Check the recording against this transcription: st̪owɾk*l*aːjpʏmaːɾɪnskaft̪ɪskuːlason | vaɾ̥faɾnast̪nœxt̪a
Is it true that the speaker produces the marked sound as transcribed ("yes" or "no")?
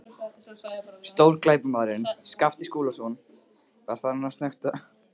yes